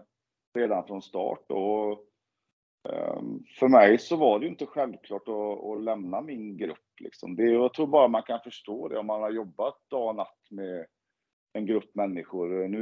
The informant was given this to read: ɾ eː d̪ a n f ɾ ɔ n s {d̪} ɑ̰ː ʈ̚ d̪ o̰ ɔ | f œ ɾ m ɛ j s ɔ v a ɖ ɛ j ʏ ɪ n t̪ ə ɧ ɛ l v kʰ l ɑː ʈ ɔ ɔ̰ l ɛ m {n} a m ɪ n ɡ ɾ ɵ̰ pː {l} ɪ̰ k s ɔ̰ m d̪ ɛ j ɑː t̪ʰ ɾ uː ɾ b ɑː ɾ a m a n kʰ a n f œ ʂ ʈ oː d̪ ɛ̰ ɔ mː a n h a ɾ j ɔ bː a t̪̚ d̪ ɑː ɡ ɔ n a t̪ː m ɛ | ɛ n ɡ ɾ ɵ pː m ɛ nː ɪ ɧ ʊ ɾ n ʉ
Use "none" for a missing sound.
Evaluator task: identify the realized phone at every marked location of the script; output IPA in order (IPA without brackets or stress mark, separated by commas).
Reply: t̪, n, l